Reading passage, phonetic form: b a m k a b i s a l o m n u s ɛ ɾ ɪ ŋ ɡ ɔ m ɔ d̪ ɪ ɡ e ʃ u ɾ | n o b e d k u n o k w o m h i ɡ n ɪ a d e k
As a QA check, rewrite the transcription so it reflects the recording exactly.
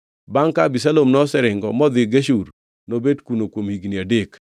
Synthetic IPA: b a ŋ k a b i s a l o m n ɔ s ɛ ɾ ɪ ŋ ɡ ɔ m ɔ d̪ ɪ ɡ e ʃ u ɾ | n o b e d k u n o k w o m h i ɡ n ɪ a d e k